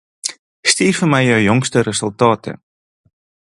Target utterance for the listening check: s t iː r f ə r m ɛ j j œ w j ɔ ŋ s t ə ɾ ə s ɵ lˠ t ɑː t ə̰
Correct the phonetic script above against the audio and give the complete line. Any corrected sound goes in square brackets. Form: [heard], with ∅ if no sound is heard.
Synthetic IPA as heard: s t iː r f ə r m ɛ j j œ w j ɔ ŋ s t ə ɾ ə s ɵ lˠ t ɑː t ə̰